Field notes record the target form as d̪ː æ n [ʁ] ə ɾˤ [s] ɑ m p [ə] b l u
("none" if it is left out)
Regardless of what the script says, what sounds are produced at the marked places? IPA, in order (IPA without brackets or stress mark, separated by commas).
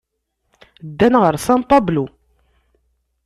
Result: ʁ, s, ɑ